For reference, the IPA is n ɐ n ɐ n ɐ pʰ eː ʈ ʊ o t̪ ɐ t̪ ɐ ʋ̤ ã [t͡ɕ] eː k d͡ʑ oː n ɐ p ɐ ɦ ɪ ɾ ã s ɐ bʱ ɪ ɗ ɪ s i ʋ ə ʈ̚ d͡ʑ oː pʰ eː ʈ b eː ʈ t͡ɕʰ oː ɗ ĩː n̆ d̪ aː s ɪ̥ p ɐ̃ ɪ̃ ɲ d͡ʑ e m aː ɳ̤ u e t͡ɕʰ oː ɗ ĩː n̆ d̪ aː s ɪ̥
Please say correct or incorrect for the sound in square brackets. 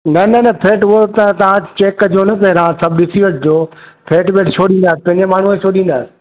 correct